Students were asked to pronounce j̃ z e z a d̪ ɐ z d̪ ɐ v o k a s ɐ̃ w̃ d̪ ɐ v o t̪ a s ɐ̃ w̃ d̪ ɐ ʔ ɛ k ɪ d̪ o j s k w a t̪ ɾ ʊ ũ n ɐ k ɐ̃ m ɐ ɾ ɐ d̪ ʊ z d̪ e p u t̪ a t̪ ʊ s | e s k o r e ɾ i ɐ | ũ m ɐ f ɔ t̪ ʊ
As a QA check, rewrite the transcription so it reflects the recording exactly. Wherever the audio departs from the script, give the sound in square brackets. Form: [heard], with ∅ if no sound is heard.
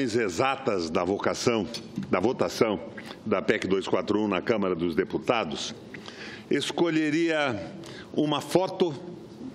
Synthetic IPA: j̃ z e z a [t̪] ɐ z d̪ ɐ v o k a s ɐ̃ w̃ d̪ ɐ v o t̪ a s ɐ̃ w̃ d̪ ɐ [p] ɛ k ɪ d̪ o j s k w a t̪ ɾ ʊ ũ n ɐ k ɐ̃ m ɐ ɾ ɐ d̪ ʊ z d̪ e p u t̪ a [d̪] ʊ s | e s k o [ʎ] e ɾ i ɐ | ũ m ɐ f ɔ t̪ ʊ